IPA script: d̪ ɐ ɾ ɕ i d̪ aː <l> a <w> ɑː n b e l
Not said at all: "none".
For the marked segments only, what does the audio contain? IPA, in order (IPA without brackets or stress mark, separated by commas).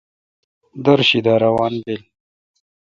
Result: ɾ, w